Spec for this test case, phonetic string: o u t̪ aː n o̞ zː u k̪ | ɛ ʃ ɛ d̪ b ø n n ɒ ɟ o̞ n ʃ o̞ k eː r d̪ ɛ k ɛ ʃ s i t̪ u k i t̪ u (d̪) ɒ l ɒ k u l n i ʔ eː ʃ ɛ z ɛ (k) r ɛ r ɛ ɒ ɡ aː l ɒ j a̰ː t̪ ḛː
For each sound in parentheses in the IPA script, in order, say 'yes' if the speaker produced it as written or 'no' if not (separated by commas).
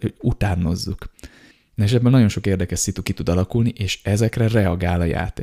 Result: yes, yes